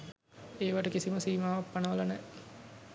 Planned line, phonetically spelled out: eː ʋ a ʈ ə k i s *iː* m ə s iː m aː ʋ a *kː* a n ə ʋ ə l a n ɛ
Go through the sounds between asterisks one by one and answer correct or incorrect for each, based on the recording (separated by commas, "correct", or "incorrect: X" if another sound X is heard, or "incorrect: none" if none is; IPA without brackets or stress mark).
incorrect: i, incorrect: pː